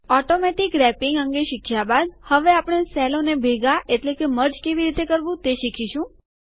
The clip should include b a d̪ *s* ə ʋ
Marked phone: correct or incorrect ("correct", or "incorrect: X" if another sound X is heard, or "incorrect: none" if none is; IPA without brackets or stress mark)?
incorrect: h